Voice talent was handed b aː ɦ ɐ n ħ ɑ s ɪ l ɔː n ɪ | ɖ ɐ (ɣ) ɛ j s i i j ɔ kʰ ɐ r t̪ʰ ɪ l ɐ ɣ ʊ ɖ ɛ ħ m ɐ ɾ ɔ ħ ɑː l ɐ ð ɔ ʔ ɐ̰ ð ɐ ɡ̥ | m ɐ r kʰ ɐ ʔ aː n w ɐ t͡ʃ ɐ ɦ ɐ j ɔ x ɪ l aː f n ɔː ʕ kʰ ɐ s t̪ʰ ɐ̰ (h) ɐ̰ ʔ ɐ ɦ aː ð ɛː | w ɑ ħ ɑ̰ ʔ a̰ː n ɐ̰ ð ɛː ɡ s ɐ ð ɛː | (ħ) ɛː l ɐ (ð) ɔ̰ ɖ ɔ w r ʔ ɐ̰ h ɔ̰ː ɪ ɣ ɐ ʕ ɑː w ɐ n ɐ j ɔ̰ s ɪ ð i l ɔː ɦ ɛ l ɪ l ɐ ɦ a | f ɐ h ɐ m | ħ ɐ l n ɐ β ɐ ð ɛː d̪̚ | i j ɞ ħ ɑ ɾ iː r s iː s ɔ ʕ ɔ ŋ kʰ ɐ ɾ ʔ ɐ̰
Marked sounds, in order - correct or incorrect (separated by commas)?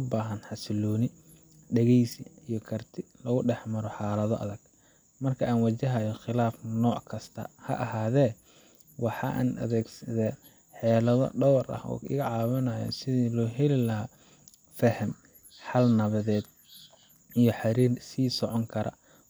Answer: correct, correct, correct, correct